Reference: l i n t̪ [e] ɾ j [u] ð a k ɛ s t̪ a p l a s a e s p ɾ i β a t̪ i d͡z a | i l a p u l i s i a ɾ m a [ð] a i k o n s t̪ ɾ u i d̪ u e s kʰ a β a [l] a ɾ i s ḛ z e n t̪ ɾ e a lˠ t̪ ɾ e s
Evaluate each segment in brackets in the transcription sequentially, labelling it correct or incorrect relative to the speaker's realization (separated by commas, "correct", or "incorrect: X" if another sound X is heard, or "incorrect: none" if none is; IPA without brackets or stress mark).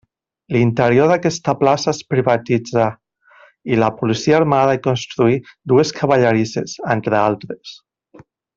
correct, incorrect: o, correct, incorrect: ʎ